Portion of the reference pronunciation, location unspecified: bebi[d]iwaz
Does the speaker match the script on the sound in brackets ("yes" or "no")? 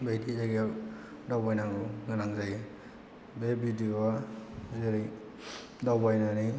yes